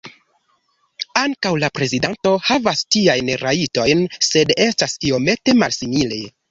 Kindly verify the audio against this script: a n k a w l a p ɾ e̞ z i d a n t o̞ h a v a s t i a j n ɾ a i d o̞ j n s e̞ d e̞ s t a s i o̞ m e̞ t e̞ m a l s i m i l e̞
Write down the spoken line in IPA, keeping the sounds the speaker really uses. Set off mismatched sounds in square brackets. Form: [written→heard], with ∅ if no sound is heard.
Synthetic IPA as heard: a [n→ŋ] k a w l a p ɾ e̞ z i d a n t o̞ h a v a s t i a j n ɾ a i [d→t] o̞ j n s e̞ d e̞ s t a s i o̞ m e̞ t e̞ m a l s i m i l e̞